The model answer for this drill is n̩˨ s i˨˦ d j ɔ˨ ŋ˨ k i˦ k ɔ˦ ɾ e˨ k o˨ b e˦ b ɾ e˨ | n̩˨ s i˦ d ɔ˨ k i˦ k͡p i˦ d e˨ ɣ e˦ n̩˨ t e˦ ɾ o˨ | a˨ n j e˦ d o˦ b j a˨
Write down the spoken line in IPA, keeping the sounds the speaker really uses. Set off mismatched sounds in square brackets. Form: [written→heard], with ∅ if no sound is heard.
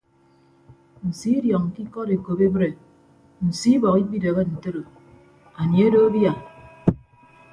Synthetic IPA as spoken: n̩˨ s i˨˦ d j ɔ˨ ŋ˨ k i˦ k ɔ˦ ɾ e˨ k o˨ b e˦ b ɾ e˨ | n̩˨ s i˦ [d→b] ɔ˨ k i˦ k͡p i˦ d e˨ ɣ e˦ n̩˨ t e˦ ɾ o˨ | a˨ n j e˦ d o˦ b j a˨